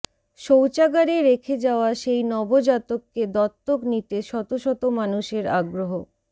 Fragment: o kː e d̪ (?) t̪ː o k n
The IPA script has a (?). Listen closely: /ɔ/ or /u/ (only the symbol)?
ɔ